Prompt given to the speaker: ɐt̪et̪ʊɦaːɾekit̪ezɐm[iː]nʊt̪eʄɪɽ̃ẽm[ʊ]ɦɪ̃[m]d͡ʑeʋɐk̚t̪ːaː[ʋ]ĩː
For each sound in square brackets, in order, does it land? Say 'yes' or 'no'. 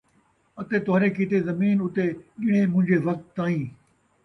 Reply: yes, no, no, no

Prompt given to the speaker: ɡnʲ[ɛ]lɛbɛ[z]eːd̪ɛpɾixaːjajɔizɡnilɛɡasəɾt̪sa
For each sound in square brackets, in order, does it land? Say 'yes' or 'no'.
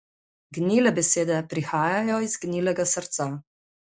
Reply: no, no

